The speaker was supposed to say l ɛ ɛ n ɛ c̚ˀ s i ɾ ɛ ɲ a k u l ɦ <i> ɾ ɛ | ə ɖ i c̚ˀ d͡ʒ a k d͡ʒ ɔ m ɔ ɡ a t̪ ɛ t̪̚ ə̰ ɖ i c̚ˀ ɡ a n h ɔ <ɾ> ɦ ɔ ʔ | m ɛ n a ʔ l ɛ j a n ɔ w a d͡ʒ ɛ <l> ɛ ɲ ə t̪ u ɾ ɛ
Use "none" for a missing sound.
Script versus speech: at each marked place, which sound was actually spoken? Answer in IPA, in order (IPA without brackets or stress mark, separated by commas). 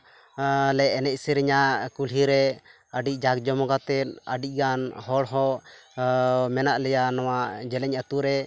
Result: i, ɽ, l